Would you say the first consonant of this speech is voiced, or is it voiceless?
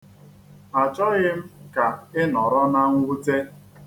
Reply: voiceless